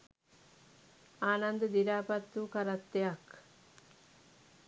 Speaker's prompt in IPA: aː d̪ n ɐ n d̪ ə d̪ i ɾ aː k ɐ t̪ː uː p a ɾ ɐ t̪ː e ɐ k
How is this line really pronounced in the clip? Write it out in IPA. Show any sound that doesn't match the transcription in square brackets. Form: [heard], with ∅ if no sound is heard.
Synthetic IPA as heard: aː [∅] n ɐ n d̪ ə d̪ i ɾ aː [p] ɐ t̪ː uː [k] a ɾ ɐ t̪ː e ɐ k

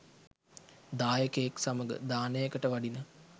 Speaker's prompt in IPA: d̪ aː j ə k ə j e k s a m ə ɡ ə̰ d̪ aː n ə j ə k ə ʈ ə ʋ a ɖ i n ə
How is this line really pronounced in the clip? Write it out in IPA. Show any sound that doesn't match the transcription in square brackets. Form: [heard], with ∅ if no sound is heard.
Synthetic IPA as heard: d̪ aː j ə k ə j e k s a m ə ɡ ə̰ d̪ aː n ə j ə k ə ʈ ə ʋ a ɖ i n ə

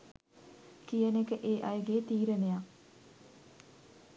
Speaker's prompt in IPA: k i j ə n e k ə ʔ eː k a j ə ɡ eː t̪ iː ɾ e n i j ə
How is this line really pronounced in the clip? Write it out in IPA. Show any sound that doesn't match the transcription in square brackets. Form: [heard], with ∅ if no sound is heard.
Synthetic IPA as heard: k i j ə n e k ə ʔ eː [ʔ] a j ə ɡ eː t̪ iː ɾ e n [e] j [a]

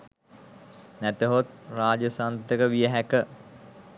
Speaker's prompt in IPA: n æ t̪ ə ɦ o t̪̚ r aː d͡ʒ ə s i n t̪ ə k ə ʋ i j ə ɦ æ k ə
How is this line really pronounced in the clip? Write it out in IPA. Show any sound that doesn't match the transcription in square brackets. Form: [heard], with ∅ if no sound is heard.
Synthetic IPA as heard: n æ t̪ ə ɦ o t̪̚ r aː d͡ʒ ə s [a] n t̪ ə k ə ʋ i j ə ɦ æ k ə

